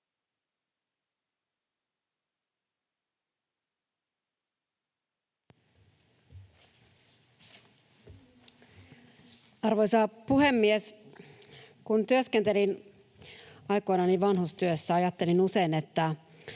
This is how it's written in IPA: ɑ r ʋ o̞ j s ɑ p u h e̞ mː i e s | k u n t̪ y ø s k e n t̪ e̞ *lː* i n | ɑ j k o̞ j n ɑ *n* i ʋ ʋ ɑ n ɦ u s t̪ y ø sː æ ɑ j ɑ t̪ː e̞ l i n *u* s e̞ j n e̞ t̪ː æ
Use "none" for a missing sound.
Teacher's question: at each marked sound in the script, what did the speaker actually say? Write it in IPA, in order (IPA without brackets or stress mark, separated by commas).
l, n, u